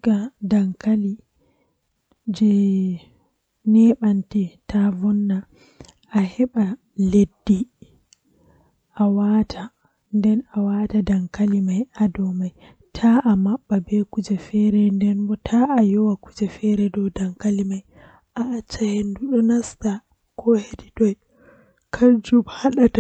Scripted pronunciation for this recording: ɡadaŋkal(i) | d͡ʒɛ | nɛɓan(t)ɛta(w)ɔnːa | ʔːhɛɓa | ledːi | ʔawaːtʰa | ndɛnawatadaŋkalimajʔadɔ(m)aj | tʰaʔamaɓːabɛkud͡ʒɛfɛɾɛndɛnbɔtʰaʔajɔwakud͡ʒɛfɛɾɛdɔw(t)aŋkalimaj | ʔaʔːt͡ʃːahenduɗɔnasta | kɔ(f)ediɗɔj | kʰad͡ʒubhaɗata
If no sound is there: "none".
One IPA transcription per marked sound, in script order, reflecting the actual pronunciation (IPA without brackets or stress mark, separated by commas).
i, t, v, m, d, h